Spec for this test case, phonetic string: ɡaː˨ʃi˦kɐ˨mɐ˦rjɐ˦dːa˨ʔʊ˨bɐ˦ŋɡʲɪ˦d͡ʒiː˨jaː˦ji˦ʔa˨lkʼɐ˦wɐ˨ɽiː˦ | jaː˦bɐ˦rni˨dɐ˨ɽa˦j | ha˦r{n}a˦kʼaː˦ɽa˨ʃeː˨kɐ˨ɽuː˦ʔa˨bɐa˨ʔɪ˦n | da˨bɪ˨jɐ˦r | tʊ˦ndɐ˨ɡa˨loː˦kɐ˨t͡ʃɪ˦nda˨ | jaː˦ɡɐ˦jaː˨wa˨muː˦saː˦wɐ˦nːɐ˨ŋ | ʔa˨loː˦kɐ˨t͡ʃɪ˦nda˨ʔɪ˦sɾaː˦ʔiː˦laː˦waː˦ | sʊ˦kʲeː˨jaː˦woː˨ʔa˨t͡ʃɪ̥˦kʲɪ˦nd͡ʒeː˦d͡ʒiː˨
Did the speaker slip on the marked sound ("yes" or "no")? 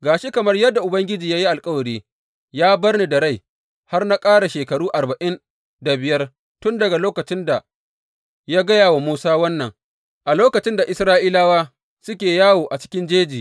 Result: no